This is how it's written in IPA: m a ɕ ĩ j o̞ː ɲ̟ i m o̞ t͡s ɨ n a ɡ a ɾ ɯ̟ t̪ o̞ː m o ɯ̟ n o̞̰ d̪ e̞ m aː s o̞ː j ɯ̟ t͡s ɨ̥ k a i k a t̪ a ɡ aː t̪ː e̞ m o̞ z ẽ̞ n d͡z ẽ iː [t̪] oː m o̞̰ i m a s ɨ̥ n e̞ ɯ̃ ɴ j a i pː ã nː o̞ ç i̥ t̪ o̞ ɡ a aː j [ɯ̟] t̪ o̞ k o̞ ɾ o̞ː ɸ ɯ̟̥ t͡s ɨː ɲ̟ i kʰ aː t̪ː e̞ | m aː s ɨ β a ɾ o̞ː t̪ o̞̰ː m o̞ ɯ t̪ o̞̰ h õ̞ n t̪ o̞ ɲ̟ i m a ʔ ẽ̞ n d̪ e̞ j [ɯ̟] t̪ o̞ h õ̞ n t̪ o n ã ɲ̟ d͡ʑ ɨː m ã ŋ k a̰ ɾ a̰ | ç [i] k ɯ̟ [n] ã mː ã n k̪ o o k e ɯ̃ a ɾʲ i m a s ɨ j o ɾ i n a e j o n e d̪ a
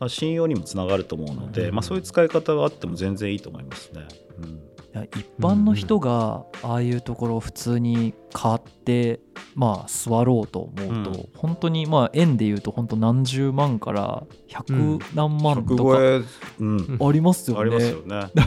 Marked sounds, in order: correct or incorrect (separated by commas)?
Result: correct, incorrect, incorrect, incorrect, correct